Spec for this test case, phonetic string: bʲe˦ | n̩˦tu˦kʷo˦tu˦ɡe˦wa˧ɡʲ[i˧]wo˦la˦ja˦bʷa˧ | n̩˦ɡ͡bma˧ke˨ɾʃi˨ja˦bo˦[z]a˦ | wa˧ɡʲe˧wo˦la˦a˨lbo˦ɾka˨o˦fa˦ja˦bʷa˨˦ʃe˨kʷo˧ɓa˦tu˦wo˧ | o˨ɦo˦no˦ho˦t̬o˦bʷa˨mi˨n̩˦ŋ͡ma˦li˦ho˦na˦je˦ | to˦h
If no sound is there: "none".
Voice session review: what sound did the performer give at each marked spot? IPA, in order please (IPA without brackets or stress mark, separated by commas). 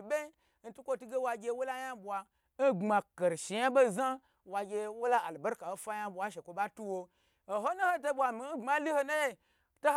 e˧, z